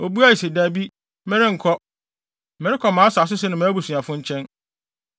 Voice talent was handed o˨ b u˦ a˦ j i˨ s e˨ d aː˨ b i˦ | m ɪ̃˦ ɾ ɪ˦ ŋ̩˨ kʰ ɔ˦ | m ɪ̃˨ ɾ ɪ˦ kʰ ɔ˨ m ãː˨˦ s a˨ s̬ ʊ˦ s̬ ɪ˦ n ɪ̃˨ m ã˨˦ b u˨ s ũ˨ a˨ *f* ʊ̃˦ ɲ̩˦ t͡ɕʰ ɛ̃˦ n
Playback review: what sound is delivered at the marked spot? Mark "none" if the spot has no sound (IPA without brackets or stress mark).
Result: f